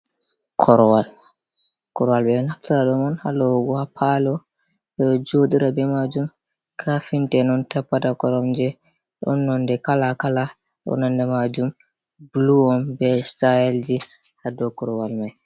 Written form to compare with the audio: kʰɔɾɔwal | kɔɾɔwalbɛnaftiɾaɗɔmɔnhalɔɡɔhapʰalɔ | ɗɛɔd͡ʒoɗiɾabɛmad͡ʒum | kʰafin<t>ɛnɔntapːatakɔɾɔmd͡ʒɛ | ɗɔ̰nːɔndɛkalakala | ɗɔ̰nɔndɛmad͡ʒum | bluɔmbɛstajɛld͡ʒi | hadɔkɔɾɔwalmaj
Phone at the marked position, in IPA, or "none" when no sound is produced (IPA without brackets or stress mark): t